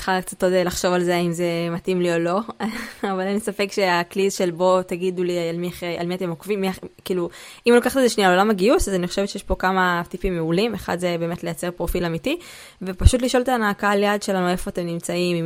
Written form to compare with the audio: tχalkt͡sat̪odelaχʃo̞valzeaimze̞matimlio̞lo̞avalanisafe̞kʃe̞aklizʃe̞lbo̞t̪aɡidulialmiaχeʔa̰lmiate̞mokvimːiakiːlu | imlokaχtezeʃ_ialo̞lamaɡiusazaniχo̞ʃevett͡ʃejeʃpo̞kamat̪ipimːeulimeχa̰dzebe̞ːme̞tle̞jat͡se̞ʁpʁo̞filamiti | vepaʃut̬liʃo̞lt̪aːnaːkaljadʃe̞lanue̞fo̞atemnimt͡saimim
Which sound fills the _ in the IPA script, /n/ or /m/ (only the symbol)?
n